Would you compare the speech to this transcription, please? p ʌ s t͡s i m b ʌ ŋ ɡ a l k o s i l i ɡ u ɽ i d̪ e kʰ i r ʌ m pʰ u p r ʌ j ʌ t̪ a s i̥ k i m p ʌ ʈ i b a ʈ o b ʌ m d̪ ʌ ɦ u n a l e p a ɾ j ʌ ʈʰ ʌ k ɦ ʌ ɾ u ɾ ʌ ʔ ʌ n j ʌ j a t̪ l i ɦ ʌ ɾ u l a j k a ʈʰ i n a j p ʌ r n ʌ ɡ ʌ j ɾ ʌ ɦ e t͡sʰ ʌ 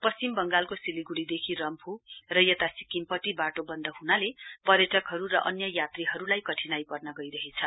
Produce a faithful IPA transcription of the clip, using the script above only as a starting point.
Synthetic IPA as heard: p ʌ s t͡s i m b ʌ ŋ ɡ a l k o s i l i ɡ u ɽ i d̪ e kʰ i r ʌ m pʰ u r ʌ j ʌ t̪ a s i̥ k i m p ʌ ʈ i b a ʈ o b ʌ n d̪ ʌ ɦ u n a l e p ʌ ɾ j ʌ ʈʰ ʌ k ɦ ʌ ɾ u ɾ ʌ ʔ ʌ n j ʌ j a t̪ r i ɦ ʌ ɾ u l a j k ʌ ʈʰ i n a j p ʌ r n ʌ ɡ ʌ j ɾ ʌ ɦ e t͡sʰ ʌ

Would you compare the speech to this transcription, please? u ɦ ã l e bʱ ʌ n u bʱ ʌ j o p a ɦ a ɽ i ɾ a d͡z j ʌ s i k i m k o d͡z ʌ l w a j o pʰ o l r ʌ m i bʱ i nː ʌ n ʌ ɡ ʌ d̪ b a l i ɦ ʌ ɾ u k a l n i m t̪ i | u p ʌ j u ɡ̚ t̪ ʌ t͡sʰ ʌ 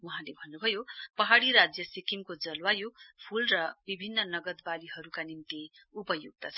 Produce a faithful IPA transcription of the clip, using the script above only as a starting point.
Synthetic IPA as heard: u ɦ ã l e bʱ ʌ nː u bʱ ʌ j o p ʌ ɦ a ɽ i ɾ a d͡z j ʌ s i k i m k o d͡z ʌ l w a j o pʰ u l r ʌ b i bʱ i nː ʌ n ʌ ɡ ʌ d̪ b a l i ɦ ʌ ɾ u k a n i m t̪ i | u p ʌ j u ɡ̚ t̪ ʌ t͡sʰ ʌ

